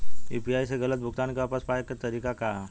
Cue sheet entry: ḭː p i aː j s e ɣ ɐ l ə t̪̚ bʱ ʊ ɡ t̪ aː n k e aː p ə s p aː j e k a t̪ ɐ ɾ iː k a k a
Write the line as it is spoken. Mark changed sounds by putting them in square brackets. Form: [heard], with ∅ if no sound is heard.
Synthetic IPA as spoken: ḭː p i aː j s e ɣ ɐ l ə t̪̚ bʱ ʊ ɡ t̪ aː n k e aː p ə s p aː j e k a t̪ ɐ ɾ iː k a k a